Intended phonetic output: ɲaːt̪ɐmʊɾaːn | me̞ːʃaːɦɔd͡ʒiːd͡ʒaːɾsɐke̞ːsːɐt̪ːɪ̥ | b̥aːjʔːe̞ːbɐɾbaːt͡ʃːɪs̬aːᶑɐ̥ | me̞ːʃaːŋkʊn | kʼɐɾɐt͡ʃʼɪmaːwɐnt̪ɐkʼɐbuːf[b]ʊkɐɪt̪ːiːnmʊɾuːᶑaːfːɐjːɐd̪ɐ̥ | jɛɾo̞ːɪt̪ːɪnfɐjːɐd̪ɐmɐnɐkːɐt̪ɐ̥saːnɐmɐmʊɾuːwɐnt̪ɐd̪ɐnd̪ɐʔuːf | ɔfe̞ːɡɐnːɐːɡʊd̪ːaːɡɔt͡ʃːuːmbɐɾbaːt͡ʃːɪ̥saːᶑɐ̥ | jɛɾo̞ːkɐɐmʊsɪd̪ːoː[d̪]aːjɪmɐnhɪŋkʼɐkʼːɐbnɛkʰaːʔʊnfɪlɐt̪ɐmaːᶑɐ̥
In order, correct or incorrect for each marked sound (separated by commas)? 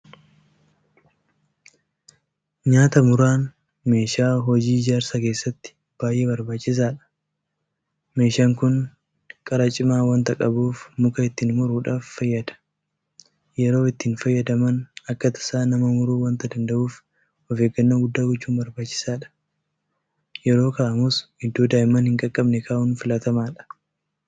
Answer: incorrect, correct